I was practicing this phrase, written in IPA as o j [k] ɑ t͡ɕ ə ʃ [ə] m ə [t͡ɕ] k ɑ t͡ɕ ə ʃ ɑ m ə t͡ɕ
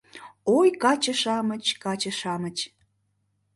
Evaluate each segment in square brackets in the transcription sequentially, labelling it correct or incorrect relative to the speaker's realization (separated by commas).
correct, incorrect, correct